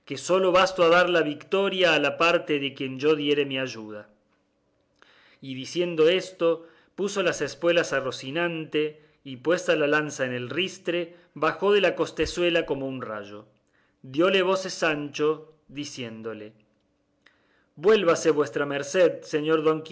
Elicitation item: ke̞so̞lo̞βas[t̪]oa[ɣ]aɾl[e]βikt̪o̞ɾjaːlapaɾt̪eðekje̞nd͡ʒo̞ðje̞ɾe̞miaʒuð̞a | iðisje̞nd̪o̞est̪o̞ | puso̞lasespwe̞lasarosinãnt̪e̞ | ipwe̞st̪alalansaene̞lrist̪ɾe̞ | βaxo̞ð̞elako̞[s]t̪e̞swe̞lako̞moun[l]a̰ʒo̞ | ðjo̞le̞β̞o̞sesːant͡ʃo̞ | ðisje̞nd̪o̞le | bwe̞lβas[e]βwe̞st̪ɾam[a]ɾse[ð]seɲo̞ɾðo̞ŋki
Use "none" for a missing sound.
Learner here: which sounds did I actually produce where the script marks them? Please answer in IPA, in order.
t̪, ð, a, s, r, e, e, ð

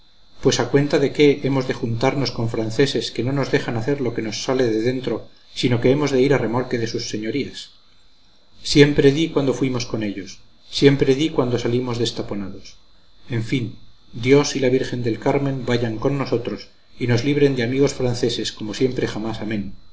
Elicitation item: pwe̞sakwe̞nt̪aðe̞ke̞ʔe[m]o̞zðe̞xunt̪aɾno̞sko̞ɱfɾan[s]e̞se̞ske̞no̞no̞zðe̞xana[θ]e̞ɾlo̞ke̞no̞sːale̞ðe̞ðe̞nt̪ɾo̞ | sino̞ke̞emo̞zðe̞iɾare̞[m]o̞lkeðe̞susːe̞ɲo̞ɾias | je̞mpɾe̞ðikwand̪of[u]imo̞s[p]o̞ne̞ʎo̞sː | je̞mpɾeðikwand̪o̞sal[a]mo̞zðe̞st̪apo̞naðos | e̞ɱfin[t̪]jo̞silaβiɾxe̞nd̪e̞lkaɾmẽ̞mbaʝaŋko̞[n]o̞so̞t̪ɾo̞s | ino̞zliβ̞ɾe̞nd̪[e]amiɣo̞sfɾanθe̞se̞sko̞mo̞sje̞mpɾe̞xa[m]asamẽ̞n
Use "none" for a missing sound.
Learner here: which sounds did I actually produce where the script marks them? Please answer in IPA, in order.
m, θ, θ, m, w, k, i, d̪, nː, e, m

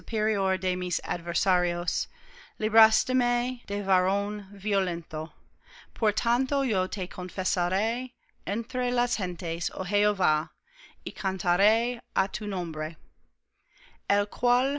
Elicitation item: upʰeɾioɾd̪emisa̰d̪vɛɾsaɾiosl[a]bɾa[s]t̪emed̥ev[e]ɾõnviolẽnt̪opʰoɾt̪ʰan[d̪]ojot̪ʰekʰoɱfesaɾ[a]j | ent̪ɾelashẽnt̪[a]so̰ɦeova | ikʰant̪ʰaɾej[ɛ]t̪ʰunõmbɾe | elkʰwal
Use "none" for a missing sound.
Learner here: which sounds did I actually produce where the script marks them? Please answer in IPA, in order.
i, s, a, t̪, e, e, a

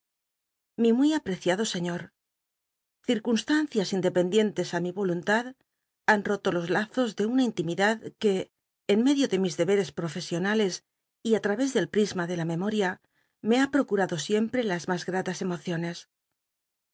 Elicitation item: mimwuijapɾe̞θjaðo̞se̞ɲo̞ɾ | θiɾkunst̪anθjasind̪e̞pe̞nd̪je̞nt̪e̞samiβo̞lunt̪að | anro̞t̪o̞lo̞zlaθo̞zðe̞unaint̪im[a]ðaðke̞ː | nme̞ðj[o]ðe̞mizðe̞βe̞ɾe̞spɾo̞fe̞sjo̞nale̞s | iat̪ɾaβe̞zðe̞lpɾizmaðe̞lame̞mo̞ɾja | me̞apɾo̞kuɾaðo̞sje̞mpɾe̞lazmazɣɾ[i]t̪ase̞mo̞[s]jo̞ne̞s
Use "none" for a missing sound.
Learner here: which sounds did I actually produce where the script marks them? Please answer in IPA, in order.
i, o, a, θ

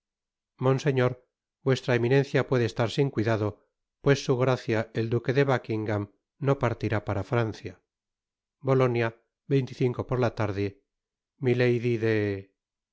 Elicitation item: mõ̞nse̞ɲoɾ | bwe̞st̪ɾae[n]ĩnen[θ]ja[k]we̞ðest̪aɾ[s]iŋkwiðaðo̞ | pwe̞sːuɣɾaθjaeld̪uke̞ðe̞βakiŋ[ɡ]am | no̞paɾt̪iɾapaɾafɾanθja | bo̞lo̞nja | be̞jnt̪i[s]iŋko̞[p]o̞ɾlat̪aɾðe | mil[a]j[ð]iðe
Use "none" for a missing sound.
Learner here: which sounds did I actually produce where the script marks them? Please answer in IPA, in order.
m, θ, p, s, ɡ, θ, p, e, ð

